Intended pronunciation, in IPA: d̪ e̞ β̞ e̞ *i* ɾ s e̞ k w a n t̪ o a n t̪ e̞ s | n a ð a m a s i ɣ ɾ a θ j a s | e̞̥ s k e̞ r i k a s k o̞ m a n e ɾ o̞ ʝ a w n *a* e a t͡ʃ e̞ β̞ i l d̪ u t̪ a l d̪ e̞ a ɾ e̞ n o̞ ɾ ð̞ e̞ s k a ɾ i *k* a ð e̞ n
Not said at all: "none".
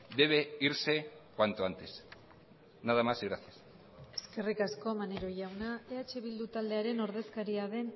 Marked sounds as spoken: i, a, none

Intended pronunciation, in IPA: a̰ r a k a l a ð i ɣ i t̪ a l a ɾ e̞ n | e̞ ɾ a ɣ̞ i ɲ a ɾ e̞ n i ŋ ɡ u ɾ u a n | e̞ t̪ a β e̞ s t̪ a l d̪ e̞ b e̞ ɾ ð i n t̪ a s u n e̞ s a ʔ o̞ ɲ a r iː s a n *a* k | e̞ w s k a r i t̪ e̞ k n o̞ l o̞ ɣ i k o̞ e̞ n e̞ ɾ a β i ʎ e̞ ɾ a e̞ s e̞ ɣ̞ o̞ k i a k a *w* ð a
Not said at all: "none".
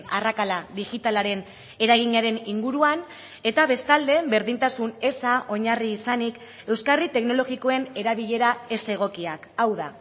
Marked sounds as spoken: i, w

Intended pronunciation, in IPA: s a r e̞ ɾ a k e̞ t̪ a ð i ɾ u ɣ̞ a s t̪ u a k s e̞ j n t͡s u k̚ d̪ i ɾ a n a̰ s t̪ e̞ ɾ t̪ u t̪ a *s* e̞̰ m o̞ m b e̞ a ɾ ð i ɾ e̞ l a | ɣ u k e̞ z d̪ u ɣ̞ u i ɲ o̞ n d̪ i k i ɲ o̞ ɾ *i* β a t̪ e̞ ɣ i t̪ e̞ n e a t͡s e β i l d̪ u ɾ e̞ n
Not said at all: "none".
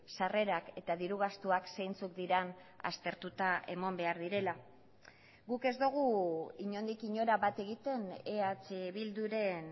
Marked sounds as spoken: none, a

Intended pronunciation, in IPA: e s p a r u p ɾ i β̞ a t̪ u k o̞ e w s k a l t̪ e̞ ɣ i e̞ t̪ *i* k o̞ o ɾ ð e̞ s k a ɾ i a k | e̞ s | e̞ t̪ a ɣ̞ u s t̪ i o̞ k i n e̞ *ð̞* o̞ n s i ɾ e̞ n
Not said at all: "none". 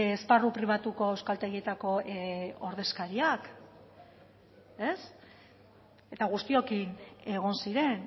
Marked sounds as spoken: a, ɣ̞

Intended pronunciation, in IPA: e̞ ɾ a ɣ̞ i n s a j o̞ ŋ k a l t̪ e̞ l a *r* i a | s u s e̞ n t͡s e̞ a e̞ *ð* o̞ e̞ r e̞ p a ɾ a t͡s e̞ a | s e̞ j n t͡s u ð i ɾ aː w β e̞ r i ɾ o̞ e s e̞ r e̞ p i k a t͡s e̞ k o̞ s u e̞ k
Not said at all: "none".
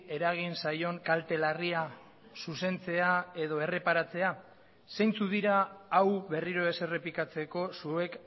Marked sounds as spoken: r, ð

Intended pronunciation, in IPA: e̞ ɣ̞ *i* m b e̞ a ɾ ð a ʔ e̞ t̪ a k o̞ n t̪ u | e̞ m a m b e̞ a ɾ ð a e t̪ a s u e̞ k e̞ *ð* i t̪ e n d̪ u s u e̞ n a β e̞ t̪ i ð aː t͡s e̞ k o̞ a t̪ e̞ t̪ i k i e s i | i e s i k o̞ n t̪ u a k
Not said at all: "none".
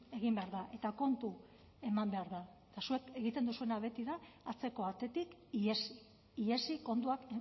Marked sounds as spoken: i, ɣ

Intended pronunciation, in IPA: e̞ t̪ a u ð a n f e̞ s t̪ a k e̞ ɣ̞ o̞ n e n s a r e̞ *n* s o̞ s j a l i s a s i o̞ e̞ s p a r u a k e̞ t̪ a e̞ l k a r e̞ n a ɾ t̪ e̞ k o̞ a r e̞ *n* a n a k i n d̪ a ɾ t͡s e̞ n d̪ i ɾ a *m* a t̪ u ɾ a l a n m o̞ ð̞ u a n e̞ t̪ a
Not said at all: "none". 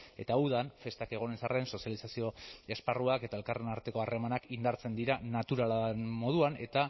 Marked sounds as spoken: n, m, n

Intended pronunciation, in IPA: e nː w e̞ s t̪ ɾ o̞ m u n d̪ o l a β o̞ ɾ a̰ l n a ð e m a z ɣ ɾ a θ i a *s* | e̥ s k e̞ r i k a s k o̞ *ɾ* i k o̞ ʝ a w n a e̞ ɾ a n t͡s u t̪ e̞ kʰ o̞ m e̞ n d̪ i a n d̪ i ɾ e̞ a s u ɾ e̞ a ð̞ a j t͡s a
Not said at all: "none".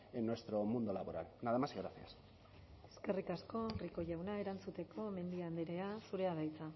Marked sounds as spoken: s, r

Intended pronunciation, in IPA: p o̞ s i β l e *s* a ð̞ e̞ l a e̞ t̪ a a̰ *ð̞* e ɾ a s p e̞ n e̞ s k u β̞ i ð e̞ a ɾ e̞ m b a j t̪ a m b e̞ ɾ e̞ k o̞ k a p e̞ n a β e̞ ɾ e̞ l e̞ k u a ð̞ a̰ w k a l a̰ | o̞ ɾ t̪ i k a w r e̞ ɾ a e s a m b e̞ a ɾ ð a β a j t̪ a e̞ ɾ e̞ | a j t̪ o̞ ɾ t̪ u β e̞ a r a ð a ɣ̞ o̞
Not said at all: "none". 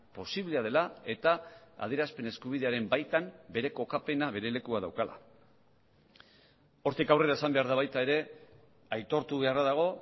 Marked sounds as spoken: none, ð̞

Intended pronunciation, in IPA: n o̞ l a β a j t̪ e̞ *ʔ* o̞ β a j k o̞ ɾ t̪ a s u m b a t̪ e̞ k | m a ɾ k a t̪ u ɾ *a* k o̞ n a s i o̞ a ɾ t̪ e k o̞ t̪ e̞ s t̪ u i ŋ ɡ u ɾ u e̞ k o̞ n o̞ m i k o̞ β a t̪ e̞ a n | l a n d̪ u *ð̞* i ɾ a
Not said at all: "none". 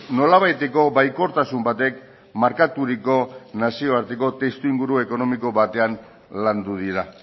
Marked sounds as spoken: k, i, ð̞

